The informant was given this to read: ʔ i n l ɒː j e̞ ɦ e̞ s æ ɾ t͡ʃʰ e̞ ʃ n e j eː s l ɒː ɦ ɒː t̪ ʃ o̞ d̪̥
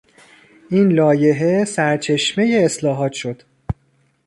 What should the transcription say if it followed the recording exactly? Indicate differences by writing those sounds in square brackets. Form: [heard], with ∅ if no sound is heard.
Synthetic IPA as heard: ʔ i n l ɒː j e̞ ɦ e̞ s æ ɾ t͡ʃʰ e̞ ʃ [m] e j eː s l ɒː ɦ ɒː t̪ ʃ o̞ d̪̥